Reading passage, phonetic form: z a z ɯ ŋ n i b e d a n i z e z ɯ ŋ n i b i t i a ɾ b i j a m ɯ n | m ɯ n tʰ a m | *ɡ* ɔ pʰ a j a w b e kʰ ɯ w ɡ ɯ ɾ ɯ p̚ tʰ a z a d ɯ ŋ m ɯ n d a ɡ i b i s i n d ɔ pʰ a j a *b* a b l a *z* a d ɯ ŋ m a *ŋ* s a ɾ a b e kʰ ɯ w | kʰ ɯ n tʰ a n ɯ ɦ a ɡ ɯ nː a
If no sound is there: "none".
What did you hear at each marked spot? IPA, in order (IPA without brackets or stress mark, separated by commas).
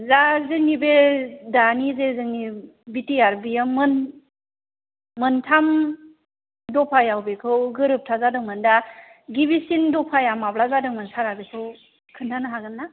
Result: d, m, z, n